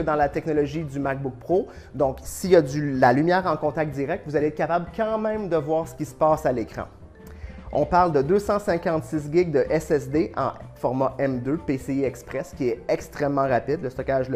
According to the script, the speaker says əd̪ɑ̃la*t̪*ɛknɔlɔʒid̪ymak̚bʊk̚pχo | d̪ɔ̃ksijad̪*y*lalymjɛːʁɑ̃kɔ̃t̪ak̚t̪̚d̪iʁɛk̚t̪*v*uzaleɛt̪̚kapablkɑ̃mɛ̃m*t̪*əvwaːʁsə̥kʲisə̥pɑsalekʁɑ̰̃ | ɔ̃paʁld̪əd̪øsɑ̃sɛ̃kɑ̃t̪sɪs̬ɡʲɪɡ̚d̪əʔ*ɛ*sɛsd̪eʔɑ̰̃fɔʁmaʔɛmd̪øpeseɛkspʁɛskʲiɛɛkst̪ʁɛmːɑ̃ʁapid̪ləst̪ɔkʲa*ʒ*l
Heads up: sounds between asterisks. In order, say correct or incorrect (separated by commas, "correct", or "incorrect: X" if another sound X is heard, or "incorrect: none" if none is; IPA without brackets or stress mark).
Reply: correct, correct, correct, incorrect: d̪, correct, correct